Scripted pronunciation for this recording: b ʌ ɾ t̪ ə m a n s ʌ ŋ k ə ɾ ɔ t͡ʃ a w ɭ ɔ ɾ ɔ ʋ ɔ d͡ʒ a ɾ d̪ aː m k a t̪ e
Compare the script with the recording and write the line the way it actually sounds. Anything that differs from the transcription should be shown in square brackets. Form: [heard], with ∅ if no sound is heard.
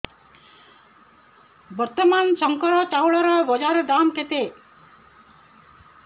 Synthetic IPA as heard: b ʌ ɾ t̪ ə m a n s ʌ ŋ k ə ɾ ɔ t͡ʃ a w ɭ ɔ ɾ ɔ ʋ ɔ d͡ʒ a ɾ d̪ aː m k [e] t̪ e

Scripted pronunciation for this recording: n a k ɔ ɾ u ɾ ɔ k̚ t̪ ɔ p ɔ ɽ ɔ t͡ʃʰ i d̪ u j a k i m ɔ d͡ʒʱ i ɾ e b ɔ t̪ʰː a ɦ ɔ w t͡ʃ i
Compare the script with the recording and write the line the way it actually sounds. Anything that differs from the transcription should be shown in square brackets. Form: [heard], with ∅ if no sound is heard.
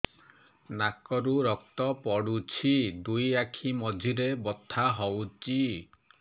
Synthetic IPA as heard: n a k ɔ ɾ u ɾ ɔ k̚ t̪ ɔ p ɔ ɽ [u] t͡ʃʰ i d̪ u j a [kʰ] i m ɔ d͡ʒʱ i ɾ e b ɔ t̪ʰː a ɦ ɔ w t͡ʃ i

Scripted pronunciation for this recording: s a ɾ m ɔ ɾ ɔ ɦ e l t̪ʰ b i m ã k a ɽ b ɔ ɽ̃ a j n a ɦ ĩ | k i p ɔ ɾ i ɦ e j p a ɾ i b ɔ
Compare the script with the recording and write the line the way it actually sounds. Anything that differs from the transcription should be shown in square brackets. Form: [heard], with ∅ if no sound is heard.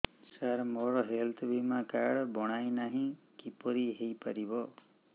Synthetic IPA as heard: s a ɾ m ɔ ɾ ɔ ɦ e l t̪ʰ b i m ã k a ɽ b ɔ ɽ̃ a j n a ɦ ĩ | k i p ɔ ɾ i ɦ e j p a ɾ i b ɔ

